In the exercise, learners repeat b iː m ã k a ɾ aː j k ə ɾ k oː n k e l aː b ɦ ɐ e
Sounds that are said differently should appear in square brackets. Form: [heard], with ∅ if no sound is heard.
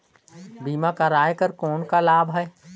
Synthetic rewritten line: b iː m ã k a ɾ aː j k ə ɾ k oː n k [a] l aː b ɦ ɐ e